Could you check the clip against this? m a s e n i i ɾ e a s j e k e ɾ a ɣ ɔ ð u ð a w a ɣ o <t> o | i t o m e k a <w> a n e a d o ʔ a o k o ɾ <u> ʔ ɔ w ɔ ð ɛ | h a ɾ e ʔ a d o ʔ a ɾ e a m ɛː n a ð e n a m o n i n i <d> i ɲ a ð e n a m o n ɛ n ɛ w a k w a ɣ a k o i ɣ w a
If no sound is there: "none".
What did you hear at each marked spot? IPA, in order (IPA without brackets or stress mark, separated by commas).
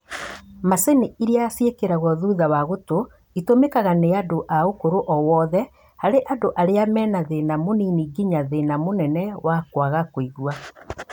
t, ɣ, o, ɡ